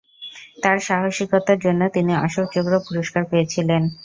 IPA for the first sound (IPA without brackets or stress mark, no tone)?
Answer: t̪